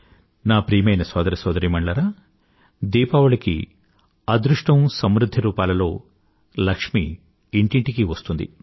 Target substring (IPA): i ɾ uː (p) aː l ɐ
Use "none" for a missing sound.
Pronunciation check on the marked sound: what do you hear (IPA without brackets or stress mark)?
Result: p